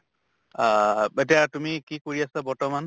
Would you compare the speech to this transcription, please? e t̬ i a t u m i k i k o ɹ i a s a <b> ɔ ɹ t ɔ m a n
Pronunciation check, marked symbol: correct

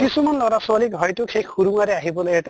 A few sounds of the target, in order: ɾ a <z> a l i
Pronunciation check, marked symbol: incorrect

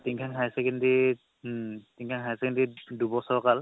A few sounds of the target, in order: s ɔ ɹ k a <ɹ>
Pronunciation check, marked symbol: incorrect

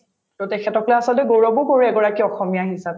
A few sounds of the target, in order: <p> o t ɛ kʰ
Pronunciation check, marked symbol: incorrect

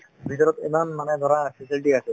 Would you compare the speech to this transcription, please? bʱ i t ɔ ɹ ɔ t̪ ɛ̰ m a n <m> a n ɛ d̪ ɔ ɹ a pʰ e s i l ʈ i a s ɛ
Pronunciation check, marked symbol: correct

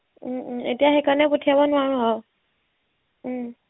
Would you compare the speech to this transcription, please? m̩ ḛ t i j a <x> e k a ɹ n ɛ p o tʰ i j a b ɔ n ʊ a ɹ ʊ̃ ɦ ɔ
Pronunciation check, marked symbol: correct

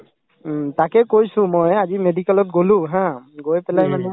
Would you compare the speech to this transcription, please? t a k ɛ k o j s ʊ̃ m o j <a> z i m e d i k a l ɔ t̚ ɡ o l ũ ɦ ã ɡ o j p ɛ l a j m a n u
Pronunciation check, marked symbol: correct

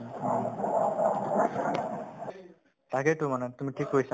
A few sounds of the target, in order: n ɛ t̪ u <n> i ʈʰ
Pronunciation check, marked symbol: incorrect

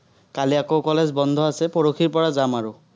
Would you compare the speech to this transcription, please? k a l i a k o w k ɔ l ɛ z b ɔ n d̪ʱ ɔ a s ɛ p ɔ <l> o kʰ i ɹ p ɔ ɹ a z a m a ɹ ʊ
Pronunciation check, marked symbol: incorrect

